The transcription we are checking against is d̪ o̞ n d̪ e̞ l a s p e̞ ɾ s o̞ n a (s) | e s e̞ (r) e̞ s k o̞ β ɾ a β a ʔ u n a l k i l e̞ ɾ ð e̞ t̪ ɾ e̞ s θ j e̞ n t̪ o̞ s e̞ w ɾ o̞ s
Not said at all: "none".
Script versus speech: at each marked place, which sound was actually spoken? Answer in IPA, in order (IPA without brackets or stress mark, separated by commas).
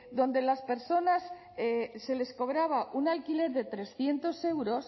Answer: s, l